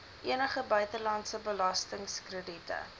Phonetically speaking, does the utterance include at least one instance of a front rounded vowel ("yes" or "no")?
yes